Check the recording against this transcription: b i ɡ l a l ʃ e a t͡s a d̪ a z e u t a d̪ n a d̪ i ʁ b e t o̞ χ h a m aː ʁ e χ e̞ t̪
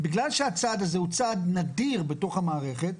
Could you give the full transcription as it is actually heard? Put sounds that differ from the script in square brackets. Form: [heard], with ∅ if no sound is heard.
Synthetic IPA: b i ɡ l a l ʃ e a t͡s a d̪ a z e u [t͡s] a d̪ n a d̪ i ʁ b e t o̞ χ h a m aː ʁ e χ e̞ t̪